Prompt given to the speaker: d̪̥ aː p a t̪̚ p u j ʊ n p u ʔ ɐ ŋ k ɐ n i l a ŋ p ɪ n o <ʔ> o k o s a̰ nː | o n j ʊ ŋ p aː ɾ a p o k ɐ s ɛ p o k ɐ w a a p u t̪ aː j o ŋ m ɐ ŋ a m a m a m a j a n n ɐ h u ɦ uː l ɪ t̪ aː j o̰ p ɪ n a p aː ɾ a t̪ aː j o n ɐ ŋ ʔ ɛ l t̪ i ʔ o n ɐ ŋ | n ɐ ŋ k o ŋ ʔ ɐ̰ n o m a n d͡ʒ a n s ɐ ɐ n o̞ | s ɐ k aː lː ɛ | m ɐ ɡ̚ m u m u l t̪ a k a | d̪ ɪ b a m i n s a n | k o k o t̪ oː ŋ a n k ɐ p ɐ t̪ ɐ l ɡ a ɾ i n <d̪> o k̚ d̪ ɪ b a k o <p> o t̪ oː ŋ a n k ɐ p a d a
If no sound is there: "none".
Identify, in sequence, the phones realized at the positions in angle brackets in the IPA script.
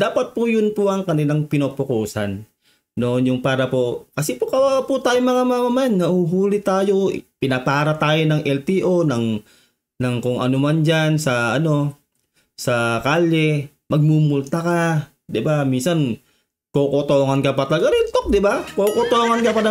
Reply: p, t̪, k

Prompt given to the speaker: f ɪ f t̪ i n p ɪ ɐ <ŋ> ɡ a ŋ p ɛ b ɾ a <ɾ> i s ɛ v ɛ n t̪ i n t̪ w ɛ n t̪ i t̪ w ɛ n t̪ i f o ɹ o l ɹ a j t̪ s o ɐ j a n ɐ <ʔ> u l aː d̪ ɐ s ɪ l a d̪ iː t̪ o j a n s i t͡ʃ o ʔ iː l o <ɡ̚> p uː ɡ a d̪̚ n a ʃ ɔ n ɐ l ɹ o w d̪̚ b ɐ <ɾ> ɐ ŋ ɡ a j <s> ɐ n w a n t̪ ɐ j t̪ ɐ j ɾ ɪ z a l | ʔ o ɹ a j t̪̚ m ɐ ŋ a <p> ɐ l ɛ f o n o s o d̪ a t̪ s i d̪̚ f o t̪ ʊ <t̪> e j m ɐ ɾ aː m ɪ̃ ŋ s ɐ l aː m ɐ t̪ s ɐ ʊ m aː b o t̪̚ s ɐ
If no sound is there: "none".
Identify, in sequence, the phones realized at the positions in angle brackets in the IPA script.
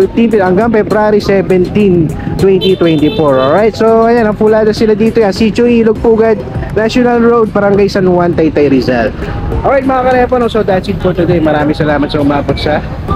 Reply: ŋ, ɾ, p, ɡ̚, ɾ, s, k, d̪

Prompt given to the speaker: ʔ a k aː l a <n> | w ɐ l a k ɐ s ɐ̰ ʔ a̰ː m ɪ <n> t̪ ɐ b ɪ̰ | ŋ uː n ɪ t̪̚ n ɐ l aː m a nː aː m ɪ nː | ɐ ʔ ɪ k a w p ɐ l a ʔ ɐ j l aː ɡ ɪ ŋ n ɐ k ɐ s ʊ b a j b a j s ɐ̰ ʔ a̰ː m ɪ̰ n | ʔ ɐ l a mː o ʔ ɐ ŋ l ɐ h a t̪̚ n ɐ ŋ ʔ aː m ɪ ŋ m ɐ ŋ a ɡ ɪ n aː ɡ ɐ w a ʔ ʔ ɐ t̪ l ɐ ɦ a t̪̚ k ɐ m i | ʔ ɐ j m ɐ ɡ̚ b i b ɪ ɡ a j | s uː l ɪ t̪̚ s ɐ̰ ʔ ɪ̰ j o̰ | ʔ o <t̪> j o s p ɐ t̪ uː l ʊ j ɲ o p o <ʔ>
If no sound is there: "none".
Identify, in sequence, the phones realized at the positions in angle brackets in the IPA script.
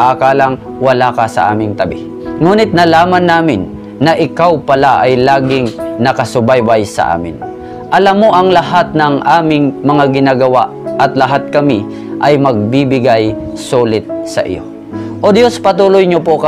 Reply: ŋ, ŋ, d̪, k

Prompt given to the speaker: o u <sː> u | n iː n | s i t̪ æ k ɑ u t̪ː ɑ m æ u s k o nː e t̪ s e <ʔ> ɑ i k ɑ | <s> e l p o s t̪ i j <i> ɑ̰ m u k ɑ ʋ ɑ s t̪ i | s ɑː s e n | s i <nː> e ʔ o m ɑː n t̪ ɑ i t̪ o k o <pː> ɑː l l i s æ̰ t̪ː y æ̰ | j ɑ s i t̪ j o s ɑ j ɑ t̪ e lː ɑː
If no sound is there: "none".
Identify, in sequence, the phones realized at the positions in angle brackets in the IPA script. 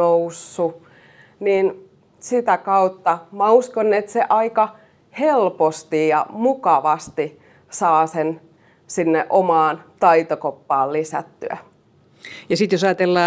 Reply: sː, ʔ, h, j, nː, pː

